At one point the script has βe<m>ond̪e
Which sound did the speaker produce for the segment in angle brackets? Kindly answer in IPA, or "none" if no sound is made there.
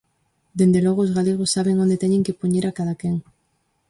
ŋ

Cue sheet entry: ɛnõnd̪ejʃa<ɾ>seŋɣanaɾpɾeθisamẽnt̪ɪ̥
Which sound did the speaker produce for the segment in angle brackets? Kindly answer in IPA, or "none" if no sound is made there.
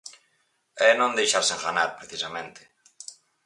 ɾ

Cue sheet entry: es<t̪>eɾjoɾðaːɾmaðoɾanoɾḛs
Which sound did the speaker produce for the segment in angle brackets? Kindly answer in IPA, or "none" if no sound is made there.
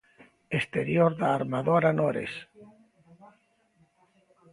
t̪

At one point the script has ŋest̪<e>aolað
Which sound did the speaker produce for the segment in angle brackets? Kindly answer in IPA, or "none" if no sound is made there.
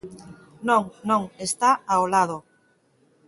a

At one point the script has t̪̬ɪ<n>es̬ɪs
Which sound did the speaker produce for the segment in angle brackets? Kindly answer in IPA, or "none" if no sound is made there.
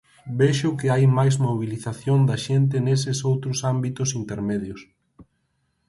n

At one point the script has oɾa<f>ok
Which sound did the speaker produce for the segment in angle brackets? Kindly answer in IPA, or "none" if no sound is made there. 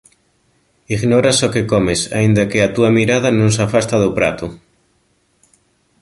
s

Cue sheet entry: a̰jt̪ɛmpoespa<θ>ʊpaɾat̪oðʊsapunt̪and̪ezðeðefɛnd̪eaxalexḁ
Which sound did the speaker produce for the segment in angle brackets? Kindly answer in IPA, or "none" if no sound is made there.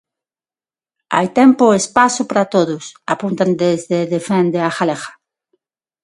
s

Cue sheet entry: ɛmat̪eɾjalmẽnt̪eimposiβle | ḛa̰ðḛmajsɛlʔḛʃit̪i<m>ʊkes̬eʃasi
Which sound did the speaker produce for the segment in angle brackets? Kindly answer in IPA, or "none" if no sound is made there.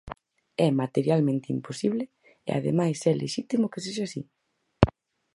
m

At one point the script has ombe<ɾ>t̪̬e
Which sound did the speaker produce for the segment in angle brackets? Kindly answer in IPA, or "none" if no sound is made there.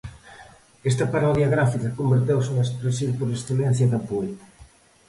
ɾ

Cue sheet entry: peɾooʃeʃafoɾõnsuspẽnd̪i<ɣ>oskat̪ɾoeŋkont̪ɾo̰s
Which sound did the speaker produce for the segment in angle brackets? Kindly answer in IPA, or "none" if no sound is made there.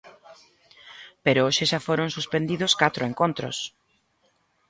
ð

